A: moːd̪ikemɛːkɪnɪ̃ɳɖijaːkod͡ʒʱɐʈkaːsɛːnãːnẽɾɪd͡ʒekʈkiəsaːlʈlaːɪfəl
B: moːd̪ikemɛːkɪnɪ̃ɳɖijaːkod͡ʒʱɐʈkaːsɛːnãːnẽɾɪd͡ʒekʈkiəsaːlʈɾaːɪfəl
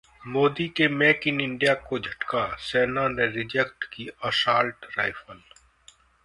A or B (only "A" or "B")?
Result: B